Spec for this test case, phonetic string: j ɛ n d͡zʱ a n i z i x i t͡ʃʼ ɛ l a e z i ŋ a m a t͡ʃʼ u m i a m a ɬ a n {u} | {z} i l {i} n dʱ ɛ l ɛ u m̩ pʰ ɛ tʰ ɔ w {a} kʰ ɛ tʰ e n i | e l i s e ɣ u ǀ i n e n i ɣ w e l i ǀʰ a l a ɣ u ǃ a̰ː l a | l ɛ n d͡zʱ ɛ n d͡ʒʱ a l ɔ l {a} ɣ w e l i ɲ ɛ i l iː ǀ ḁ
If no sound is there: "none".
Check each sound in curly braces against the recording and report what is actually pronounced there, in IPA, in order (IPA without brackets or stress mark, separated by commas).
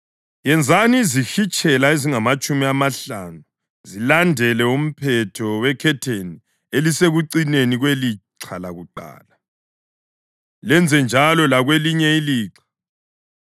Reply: u, z, a, ɛ, a